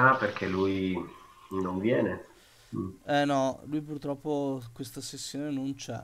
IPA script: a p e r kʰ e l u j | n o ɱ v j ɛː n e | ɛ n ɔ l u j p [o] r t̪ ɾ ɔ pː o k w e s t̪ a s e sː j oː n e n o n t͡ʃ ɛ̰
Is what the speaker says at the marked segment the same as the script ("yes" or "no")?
no